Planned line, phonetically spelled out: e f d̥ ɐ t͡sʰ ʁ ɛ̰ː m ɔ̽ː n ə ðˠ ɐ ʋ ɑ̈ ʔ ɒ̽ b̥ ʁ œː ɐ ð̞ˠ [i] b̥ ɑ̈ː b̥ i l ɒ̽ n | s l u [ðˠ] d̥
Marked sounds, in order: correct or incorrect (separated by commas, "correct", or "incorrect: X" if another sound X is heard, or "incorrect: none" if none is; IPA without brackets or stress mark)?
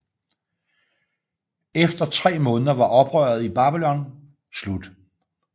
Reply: correct, incorrect: none